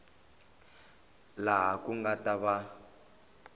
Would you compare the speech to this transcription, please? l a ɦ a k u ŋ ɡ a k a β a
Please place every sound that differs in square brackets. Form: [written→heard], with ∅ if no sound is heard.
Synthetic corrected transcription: l a ɦ a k u ŋ ɡ a [k→t] a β a